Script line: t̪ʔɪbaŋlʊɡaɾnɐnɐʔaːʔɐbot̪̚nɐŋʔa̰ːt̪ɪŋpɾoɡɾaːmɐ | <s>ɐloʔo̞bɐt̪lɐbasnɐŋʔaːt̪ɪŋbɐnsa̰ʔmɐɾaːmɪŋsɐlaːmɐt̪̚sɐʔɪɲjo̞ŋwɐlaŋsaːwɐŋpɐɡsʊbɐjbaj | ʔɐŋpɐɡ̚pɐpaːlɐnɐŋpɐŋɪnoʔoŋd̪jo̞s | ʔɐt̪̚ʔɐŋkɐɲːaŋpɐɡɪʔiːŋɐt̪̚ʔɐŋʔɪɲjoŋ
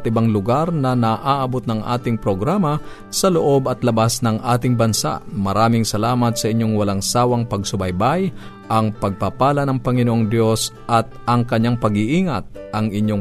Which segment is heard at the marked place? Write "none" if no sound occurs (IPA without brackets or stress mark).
s